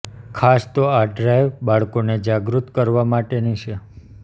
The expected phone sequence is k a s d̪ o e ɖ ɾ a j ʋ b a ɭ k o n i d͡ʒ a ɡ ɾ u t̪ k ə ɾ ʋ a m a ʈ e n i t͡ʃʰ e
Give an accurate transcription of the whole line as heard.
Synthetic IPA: kʰ a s t̪ o a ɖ ɾ a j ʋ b a ɭ k o n e d͡ʒ a ɡ ɾ u t̪ k ə ɾ ʋ a m a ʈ e n i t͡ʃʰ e